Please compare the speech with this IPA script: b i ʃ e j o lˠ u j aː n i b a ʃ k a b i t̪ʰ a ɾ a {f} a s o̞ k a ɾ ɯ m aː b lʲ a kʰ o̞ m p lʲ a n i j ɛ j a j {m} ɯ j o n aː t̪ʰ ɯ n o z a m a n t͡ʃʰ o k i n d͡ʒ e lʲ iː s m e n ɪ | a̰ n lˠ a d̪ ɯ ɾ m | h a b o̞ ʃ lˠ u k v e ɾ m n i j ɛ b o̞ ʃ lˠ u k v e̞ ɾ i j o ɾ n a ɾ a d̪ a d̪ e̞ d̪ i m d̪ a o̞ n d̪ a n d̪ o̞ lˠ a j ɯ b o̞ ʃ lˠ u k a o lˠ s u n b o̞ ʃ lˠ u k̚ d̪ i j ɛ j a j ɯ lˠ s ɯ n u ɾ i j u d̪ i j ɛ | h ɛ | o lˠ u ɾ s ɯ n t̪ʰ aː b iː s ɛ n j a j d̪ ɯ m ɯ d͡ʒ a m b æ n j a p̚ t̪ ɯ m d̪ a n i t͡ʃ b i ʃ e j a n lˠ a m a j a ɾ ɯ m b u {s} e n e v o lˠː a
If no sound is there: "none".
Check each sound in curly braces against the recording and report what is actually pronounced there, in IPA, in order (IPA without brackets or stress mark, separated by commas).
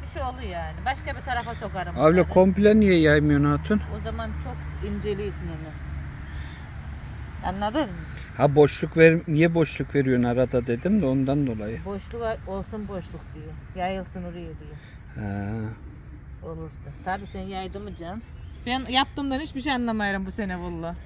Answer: f, m, s